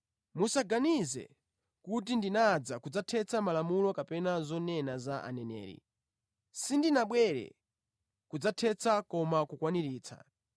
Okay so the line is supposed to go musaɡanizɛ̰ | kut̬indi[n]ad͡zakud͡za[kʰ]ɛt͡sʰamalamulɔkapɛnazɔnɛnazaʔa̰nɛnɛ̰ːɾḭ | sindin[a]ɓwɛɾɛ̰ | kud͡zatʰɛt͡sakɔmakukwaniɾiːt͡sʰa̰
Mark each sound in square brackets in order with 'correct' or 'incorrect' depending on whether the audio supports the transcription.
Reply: correct, incorrect: tʰ, correct

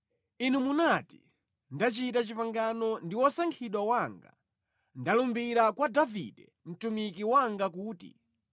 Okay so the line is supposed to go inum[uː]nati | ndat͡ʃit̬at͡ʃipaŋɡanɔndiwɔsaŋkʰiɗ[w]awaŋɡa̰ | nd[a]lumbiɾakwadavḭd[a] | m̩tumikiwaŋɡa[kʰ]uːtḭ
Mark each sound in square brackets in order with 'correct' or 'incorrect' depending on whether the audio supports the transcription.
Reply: incorrect: u, correct, correct, incorrect: ɛ, incorrect: k

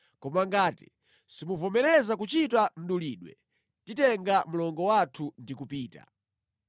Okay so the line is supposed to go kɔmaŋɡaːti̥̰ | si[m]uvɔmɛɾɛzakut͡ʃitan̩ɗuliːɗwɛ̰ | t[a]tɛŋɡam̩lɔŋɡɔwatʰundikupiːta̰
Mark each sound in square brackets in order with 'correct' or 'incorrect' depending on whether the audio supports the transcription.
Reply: correct, incorrect: i

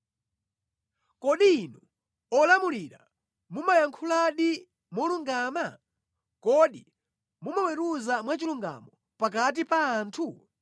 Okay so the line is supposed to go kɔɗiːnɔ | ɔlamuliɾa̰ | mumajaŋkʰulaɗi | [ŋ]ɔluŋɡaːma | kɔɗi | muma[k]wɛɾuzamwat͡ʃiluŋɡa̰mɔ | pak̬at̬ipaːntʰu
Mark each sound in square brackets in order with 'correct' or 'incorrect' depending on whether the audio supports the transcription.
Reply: incorrect: m, incorrect: none

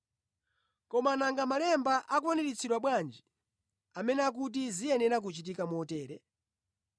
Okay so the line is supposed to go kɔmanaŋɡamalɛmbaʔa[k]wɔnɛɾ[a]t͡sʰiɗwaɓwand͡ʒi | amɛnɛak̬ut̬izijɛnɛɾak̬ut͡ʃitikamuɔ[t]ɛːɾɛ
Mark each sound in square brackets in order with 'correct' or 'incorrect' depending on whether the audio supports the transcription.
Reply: correct, incorrect: i, correct

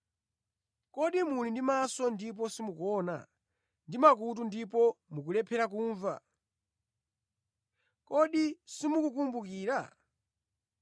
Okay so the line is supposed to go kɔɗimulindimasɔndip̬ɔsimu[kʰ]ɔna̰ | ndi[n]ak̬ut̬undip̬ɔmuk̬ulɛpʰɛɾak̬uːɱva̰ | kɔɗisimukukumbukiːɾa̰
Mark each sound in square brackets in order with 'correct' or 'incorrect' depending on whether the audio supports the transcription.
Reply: incorrect: k, incorrect: m

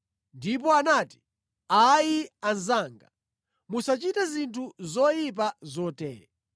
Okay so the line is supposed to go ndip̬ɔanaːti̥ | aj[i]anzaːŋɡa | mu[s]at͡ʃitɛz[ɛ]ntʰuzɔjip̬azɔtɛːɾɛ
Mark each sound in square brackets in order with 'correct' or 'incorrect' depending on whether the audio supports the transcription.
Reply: correct, correct, incorrect: i

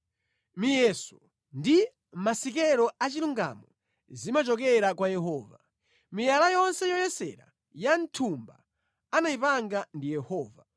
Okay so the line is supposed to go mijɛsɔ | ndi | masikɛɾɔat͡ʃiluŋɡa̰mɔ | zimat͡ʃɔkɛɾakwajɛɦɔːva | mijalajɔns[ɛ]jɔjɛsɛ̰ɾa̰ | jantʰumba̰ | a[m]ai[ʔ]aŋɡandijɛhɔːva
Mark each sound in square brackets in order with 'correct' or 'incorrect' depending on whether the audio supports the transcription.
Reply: correct, incorrect: n, incorrect: p

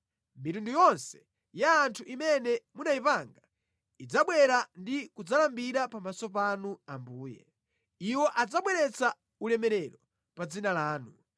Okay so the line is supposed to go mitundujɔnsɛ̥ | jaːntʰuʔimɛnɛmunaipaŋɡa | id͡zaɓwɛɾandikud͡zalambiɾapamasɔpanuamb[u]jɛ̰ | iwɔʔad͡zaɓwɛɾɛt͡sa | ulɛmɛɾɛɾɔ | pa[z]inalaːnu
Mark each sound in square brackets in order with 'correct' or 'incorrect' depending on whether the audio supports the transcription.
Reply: incorrect: uː, incorrect: d͡z

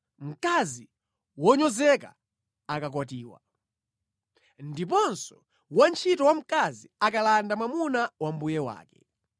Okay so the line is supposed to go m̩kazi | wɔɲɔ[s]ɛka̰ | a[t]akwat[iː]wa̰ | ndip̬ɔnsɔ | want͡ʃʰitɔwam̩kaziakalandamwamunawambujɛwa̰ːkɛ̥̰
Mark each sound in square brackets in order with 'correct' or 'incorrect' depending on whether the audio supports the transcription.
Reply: incorrect: z, incorrect: k, correct

